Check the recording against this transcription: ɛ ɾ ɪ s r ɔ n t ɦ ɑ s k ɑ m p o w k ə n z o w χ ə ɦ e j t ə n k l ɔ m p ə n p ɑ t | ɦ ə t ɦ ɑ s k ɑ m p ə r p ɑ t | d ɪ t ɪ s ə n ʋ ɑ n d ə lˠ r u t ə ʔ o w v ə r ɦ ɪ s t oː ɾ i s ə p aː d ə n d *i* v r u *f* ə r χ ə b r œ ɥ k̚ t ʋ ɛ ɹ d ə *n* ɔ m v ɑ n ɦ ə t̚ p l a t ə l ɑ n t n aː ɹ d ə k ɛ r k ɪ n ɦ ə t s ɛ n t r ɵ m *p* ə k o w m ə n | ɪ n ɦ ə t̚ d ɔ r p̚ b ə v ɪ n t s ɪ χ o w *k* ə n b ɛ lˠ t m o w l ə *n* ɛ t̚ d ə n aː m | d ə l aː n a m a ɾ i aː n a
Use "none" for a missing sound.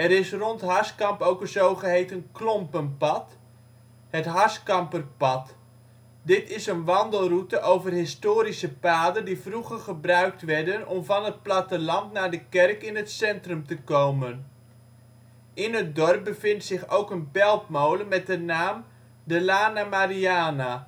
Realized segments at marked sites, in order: i, χ, n, t, k, m

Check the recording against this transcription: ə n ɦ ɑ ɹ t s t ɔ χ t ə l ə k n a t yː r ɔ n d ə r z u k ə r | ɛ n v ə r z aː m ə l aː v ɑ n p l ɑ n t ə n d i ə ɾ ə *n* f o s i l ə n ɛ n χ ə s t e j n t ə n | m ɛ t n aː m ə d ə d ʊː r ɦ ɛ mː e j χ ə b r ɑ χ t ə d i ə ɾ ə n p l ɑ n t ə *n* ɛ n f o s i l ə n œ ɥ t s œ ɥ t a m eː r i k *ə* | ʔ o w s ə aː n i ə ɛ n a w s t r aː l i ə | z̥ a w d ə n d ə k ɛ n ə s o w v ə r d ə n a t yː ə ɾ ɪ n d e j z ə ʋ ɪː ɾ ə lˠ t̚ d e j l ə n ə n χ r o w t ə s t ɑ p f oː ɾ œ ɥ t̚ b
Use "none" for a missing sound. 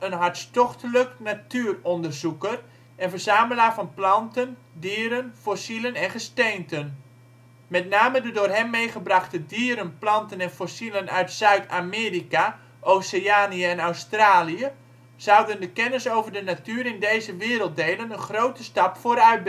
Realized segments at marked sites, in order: n, n, a

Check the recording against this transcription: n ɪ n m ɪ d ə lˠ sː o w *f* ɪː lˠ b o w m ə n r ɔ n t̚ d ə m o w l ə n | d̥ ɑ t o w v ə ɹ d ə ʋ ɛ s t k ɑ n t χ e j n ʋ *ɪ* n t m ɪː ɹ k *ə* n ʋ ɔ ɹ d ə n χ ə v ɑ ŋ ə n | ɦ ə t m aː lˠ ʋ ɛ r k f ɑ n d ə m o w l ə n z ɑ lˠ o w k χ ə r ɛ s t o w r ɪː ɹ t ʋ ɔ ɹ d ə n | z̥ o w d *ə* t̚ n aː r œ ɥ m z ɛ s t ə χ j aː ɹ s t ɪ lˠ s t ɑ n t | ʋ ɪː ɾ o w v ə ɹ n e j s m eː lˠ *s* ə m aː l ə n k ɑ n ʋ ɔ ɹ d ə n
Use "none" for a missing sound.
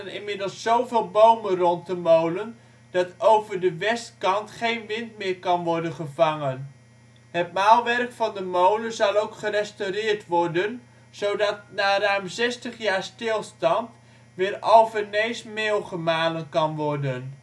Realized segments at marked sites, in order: v, ɪ, ɑ, ɑ, χ

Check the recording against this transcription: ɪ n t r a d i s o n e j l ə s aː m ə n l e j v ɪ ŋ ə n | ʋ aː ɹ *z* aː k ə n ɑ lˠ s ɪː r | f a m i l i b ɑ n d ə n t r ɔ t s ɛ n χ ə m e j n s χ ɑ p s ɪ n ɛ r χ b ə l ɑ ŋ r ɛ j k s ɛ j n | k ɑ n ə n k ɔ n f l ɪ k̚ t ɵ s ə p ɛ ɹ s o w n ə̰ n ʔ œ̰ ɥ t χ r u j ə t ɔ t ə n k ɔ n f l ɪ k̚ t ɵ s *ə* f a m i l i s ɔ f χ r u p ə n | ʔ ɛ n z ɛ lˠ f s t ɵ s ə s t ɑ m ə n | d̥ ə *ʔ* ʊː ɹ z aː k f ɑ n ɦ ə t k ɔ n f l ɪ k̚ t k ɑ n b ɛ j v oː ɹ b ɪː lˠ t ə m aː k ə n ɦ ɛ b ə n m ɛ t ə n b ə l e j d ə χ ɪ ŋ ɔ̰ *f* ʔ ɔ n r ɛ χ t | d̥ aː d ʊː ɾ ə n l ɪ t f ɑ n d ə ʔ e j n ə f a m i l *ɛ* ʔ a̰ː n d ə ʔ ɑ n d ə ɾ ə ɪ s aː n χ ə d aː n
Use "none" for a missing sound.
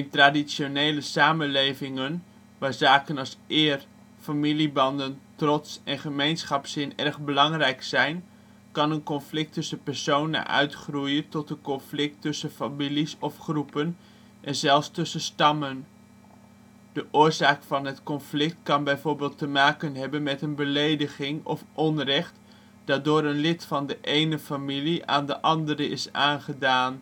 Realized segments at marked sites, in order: z, ə, ʔ, f, i

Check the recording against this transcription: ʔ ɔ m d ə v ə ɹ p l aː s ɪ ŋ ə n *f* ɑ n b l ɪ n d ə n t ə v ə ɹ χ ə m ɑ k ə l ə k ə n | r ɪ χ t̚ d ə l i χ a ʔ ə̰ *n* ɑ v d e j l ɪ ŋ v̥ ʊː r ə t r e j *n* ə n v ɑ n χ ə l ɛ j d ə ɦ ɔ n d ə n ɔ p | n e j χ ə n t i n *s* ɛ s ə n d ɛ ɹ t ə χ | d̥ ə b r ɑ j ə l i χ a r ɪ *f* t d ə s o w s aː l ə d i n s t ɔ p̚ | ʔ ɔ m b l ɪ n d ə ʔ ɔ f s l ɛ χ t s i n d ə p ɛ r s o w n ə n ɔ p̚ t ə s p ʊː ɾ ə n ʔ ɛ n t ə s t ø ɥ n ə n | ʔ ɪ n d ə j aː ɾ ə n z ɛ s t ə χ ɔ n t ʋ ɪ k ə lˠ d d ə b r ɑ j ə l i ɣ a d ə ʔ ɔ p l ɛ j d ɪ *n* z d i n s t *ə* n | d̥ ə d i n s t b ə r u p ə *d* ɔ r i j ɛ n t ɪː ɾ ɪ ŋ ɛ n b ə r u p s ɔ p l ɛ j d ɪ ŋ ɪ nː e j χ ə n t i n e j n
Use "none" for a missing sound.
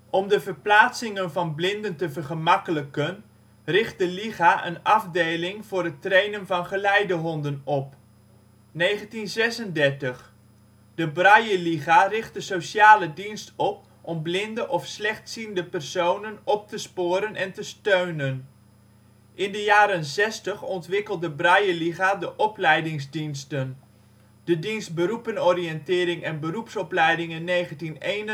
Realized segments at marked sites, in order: v, n, n, z, χ, ŋ, ə, n

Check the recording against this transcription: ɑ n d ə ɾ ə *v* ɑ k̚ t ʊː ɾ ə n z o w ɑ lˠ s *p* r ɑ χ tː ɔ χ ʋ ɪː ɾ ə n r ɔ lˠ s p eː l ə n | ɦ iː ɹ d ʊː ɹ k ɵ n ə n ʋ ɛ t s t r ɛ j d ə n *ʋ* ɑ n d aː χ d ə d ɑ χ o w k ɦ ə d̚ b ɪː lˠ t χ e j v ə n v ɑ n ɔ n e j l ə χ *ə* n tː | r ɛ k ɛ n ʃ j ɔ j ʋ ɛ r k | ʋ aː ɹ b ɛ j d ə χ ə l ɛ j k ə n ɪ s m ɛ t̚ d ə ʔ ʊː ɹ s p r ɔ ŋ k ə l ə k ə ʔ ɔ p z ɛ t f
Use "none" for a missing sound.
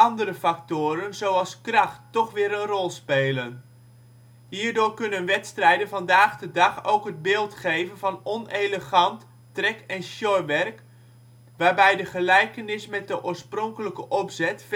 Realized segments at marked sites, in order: f, k, v, ɑ

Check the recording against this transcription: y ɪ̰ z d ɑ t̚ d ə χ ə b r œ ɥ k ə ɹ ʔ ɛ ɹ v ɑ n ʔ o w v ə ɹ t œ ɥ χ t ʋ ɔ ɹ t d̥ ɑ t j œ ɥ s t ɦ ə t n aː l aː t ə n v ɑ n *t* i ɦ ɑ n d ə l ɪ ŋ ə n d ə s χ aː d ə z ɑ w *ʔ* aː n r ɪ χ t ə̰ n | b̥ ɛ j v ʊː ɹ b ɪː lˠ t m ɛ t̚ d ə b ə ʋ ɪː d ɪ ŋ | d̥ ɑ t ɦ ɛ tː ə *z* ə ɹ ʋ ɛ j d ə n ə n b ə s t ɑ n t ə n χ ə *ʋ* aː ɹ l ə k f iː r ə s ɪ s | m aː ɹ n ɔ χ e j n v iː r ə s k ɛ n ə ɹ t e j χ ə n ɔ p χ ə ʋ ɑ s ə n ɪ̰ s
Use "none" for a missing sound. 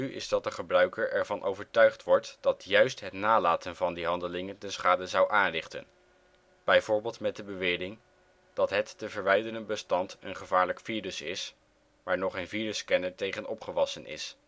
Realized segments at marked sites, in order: d, ʔ, v, v

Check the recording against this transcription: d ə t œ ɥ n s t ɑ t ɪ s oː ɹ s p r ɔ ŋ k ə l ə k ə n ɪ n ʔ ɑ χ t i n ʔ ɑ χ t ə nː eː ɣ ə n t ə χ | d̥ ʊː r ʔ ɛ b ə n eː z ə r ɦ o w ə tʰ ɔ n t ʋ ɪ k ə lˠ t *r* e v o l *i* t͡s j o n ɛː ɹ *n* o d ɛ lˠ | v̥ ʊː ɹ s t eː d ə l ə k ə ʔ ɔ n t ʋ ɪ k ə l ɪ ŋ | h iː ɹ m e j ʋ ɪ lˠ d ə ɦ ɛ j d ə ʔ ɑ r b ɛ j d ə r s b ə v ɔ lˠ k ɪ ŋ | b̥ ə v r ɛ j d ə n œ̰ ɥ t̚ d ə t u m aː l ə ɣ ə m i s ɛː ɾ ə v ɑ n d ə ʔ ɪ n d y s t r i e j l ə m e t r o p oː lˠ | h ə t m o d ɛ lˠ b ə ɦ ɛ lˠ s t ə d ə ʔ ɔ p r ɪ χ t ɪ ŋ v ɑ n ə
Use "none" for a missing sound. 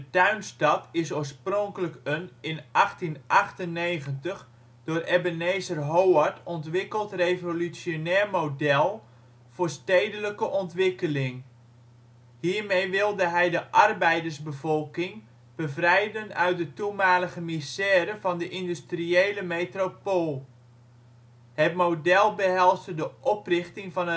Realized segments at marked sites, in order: r, y, m

